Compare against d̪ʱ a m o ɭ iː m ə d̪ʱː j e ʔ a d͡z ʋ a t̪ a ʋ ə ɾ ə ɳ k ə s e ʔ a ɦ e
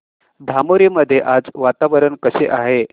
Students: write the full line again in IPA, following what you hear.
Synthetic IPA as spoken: d̪ʱ a m o ɾ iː m ə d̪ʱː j e ʔ a d͡z ʋ a t̪ a ʋ ə ɾ ə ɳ k ə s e ʔ a ɦ e